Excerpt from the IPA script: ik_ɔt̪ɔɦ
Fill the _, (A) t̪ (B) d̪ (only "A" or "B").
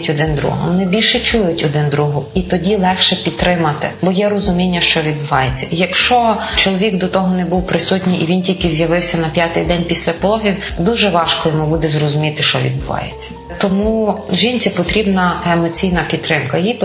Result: B